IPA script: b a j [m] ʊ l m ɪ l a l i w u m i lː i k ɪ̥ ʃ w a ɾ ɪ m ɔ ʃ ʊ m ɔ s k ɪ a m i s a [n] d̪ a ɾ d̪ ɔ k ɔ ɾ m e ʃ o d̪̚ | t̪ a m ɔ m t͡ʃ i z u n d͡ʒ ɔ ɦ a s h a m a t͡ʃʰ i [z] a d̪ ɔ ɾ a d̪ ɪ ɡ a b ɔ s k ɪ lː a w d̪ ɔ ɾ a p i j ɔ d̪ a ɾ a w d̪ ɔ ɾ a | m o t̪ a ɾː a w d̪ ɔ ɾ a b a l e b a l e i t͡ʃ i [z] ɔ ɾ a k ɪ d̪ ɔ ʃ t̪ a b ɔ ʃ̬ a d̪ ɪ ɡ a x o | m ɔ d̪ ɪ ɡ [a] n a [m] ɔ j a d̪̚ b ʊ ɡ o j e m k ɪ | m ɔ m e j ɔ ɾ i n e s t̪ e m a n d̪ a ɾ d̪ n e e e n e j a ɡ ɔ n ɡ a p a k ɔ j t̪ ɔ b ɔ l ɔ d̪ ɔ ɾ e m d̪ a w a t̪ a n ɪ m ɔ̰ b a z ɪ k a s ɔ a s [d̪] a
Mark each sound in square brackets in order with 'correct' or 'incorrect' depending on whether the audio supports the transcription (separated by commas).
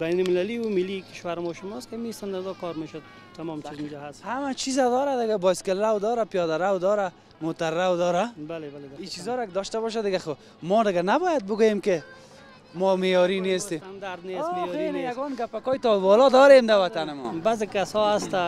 incorrect, correct, correct, correct, correct, incorrect, incorrect